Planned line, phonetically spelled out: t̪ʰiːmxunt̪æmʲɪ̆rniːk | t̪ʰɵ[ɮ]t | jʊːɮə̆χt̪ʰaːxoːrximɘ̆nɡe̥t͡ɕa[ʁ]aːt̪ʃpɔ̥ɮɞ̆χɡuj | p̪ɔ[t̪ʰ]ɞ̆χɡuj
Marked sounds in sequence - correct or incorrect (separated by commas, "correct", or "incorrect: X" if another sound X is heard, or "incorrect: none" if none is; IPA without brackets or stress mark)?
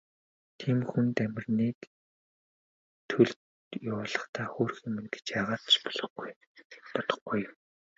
correct, correct, incorrect: t̪